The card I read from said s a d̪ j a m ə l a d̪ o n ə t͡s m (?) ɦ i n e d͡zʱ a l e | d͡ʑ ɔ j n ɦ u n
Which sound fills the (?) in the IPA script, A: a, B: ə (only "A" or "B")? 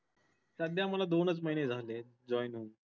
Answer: B